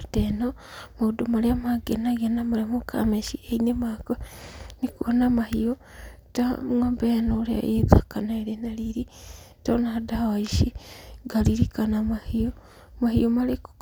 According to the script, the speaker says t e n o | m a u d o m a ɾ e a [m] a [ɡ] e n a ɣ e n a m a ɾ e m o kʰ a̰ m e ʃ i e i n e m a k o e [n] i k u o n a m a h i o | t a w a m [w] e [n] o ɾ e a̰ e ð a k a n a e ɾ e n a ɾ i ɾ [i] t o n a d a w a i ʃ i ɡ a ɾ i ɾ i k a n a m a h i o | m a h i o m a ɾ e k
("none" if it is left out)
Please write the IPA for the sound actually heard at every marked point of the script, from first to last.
m, ɡ, n, b, n, i

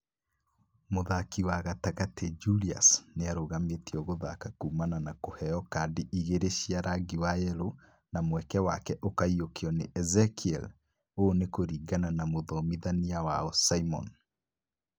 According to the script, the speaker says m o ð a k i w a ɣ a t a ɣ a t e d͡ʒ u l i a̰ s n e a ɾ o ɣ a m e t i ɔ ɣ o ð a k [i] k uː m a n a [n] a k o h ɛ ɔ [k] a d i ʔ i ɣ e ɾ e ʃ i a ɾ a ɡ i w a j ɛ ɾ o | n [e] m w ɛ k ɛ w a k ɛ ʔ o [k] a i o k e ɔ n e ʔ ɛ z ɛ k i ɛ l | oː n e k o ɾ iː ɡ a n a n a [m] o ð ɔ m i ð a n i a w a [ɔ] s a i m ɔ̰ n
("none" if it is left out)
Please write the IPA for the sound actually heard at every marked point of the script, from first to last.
a, n, k, a, k, m, ɔ

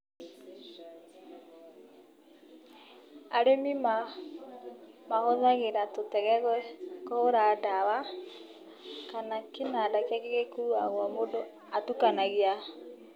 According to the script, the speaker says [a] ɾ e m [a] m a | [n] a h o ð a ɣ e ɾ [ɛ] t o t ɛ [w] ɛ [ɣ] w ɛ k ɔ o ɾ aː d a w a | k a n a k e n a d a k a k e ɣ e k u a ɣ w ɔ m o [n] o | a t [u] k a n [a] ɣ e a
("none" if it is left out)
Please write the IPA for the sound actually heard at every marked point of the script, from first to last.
a, i, m, a, ɣ, ɣ, d, u, a

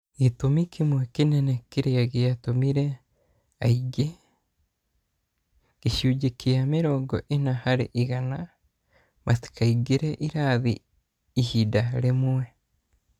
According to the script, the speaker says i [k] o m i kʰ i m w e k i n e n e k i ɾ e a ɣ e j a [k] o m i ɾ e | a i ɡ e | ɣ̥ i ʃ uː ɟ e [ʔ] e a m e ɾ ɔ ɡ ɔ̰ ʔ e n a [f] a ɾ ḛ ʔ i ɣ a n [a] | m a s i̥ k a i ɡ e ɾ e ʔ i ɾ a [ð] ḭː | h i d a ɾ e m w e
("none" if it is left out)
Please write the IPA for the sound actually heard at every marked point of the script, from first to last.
t, t, k, h, a, ð

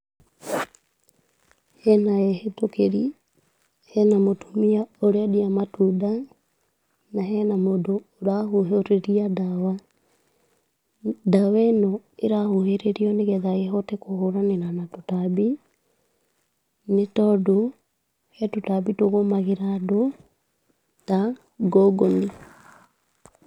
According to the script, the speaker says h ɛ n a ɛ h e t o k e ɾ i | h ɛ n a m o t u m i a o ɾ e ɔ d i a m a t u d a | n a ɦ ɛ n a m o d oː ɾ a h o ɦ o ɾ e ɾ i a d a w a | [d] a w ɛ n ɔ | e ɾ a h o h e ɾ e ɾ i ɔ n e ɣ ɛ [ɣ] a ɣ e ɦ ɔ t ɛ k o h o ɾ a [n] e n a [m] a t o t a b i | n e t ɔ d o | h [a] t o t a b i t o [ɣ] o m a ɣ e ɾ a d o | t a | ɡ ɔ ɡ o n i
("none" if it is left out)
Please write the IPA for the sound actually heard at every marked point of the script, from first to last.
d, ð, n, n, ɛ, ɣ

